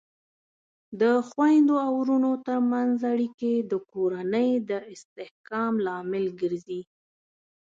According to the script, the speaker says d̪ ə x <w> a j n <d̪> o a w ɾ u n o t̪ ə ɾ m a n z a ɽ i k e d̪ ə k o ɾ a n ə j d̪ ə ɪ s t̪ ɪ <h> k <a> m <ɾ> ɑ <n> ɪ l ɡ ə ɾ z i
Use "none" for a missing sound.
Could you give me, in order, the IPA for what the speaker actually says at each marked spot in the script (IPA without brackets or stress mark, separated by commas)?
w, d̪, h, ɑ, l, m